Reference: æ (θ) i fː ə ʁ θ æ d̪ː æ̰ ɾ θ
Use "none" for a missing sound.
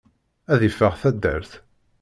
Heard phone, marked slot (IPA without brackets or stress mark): ð